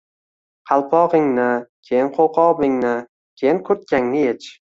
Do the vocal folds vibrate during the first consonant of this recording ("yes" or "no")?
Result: no